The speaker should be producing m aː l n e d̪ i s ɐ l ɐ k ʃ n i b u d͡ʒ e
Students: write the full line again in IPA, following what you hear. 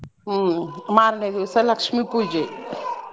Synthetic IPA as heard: m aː ɾ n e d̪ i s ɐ l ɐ k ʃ m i p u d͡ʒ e